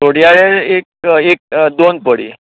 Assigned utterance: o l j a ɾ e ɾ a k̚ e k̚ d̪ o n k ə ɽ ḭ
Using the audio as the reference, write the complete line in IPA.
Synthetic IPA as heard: o ɽ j a ɭ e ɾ e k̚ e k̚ d̪ o n p ə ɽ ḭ